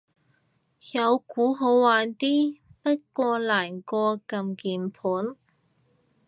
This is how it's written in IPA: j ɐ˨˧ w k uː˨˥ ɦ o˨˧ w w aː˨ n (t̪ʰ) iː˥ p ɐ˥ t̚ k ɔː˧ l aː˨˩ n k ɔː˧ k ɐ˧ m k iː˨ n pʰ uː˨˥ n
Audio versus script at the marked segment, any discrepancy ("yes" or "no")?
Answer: yes